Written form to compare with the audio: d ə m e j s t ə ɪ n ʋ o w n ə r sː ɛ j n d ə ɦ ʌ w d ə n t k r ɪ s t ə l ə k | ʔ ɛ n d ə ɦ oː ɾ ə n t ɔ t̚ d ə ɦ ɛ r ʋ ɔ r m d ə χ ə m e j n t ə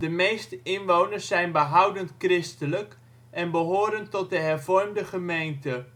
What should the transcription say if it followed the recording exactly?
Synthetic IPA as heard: d ə m e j s t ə ɪ n ʋ o w n ə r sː ɛ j n b ə ɦ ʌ w d ə n t k r ɪ s t ə l ə k | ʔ ɛ n b ə ɦ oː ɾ ə n t ɔ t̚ d ə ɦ ɛ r v ɔ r m d ə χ ə m e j n t ə